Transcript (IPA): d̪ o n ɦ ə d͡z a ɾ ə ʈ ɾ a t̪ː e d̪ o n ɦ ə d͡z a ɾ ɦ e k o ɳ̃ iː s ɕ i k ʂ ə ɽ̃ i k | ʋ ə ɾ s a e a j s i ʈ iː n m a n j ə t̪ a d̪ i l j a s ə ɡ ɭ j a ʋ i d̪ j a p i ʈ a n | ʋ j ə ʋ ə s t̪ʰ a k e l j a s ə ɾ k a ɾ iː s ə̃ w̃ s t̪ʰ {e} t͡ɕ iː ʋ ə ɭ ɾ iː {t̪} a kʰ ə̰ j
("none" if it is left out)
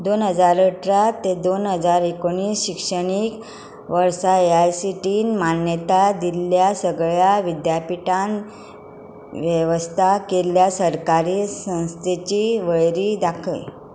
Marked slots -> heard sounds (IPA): e, d̪

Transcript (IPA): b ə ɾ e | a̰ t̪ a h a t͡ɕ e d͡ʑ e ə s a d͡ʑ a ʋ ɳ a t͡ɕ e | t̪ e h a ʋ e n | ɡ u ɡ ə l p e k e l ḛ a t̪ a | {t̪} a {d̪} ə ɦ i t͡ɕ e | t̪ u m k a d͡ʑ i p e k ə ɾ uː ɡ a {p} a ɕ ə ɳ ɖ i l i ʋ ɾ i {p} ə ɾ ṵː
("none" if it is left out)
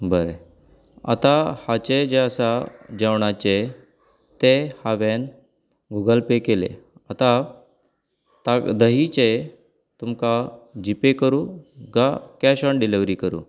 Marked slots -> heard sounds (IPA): t̪, d̪, k, k

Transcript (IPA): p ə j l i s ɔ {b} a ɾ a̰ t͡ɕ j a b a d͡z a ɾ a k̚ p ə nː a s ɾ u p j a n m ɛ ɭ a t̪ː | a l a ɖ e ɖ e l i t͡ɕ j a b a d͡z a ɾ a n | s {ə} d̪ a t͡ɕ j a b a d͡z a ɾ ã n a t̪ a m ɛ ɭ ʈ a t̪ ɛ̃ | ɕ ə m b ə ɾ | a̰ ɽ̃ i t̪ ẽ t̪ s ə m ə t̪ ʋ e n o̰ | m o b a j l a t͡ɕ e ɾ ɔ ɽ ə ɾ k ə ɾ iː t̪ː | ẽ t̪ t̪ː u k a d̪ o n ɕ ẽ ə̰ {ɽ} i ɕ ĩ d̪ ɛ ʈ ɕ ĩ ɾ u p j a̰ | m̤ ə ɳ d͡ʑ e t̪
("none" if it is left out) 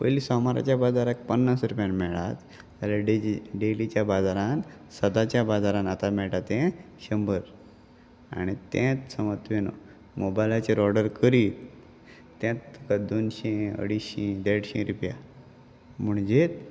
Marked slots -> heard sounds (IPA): m, ə, ɽ

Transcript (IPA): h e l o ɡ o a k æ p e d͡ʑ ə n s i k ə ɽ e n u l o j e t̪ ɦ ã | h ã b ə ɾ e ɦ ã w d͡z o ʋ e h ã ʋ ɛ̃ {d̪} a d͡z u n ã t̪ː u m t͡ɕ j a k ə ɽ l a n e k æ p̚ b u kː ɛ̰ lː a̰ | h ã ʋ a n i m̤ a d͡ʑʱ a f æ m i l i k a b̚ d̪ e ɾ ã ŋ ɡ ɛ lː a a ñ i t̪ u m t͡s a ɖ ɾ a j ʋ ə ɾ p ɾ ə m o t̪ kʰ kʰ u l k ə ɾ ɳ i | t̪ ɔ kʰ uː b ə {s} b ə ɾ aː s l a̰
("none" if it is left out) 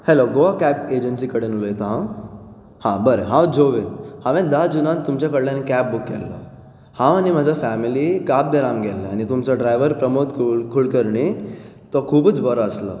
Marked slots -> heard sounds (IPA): d̪, t͡s

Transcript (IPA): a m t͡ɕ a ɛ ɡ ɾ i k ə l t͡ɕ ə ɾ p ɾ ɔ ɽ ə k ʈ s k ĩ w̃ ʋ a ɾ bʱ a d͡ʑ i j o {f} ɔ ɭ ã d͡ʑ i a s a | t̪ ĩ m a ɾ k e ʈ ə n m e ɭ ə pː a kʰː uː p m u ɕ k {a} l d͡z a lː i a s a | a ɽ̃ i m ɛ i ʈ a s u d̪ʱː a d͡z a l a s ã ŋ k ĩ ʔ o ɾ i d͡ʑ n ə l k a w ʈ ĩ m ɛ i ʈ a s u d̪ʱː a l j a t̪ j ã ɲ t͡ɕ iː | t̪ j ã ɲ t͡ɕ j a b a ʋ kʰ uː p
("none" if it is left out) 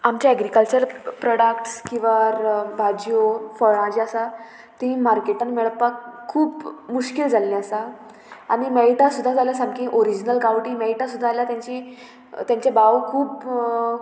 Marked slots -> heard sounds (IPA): f, i

